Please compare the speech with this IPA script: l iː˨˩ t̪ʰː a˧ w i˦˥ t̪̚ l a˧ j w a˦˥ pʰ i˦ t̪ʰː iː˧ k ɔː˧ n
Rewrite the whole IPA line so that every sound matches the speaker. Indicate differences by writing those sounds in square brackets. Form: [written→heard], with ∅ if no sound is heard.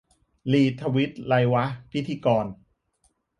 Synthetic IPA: l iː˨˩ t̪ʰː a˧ w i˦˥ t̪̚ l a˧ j w a˦˥ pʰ i˦ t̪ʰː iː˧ k ɔː˧ n